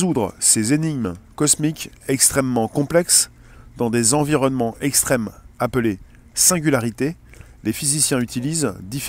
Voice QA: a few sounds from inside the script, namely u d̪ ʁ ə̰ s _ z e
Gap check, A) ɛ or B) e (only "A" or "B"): B